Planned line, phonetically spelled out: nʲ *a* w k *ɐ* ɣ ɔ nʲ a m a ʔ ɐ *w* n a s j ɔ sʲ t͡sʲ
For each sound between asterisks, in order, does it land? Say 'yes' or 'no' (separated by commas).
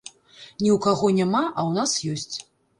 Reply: no, no, yes